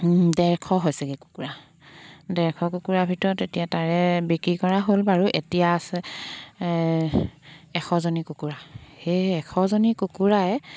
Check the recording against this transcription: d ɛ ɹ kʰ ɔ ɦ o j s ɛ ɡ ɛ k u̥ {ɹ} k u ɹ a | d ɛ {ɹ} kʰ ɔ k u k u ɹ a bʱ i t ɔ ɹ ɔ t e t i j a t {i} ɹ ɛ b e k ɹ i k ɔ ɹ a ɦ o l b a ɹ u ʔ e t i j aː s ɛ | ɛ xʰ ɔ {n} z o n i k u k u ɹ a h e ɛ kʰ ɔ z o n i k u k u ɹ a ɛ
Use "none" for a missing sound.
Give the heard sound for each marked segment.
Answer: none, ɹ, a, none

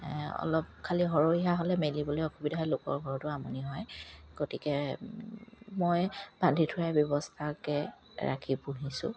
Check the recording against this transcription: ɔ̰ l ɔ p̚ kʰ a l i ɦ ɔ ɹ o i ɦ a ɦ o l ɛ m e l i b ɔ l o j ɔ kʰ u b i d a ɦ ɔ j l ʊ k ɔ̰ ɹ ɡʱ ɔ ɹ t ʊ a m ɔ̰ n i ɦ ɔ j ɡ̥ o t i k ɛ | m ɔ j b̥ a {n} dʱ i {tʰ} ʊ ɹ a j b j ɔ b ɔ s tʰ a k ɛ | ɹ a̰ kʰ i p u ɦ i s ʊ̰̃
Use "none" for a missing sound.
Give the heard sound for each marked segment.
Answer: n, tʰ

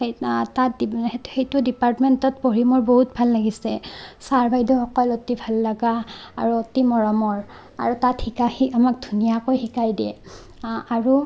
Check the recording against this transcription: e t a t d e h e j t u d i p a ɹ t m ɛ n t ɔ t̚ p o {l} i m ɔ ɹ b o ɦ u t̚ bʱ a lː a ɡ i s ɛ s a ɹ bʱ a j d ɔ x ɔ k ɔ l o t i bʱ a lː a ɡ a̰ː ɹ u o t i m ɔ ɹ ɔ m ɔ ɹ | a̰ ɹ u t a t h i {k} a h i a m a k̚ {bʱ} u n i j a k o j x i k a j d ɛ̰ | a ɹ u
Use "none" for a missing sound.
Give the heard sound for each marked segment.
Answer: ɹ, k, dʱ

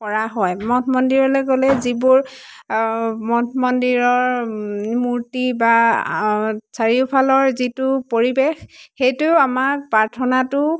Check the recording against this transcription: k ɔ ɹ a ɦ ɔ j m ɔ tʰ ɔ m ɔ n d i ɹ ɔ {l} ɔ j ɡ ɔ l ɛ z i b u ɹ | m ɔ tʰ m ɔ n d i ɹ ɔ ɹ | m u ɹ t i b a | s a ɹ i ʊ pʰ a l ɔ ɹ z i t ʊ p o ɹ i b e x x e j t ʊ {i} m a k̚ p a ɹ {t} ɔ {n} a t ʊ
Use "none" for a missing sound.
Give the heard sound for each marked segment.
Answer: l, a, tʰ, n

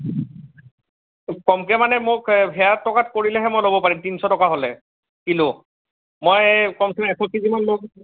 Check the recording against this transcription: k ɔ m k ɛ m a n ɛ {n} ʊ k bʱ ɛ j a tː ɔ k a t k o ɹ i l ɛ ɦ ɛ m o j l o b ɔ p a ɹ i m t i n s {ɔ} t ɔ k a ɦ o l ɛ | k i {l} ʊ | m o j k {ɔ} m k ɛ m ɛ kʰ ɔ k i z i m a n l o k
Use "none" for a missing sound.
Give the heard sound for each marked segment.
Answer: m, ɔ, l, ɔ

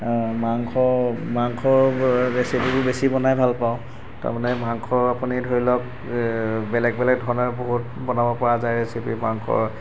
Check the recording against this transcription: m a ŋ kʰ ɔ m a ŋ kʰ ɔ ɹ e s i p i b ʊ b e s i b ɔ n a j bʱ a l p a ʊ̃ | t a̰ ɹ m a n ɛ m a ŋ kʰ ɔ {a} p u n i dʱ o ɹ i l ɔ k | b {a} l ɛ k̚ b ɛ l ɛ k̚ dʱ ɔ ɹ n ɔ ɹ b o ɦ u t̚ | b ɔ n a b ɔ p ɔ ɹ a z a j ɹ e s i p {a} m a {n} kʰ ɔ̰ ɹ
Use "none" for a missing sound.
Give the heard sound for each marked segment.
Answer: a, ɛ, i, ŋ

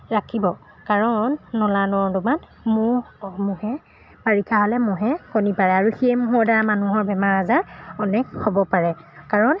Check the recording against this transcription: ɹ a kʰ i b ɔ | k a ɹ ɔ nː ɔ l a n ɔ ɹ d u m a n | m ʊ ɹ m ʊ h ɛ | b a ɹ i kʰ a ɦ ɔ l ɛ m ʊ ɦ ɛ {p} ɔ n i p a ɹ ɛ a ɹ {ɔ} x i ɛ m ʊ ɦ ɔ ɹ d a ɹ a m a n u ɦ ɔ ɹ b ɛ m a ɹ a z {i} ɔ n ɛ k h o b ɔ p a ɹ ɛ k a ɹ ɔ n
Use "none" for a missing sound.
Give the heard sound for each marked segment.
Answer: k, u, a

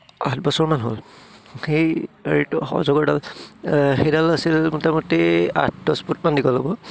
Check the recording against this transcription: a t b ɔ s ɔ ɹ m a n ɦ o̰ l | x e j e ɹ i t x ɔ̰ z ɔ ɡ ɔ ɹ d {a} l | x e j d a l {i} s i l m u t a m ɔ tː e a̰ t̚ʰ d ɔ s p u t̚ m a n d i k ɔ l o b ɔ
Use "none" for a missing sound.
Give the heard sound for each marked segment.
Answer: a, a

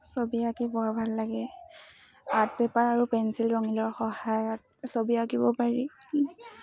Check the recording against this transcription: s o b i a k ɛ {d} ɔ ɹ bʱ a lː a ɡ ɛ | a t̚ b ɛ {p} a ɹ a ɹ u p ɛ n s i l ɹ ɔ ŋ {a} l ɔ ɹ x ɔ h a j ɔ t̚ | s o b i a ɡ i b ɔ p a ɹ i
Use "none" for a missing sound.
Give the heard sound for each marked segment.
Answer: b, p, i

